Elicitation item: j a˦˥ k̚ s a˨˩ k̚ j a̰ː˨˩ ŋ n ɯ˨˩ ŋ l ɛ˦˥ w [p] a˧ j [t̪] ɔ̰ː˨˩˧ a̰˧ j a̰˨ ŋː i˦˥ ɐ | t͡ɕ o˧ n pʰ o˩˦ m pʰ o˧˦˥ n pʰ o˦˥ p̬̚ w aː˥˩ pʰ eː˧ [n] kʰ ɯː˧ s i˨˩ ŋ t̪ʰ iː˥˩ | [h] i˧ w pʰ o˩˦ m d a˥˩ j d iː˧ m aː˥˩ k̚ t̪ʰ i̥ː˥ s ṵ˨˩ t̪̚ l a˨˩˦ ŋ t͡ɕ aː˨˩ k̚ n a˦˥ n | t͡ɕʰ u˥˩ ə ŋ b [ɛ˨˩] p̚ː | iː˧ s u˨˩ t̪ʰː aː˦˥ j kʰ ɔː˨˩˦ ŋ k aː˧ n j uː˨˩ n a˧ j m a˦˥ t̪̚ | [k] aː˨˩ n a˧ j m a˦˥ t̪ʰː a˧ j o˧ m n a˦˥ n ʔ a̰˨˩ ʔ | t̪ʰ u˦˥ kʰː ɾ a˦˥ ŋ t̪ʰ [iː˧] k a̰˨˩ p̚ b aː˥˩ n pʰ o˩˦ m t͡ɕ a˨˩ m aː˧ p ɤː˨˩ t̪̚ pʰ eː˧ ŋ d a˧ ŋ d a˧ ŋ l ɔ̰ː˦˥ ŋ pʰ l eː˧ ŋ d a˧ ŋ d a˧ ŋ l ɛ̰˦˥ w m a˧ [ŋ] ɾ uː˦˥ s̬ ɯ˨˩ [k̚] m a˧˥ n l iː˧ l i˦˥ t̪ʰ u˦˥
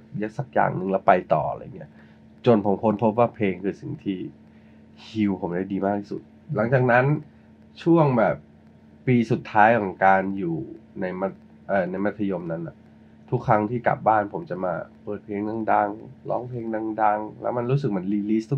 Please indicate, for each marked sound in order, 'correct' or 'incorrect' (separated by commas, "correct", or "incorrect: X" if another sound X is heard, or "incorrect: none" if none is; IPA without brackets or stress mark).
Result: correct, correct, incorrect: ŋ, correct, incorrect: ɛː˨˩, incorrect: ʔ, incorrect: iː˥˩, incorrect: n, correct